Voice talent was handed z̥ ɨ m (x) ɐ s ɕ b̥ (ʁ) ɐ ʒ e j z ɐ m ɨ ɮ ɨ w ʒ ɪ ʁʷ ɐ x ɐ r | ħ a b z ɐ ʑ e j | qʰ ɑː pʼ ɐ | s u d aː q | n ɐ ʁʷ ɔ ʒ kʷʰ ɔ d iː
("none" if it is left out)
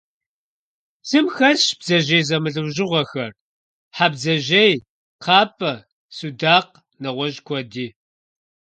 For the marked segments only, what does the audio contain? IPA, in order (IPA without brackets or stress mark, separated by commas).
x, z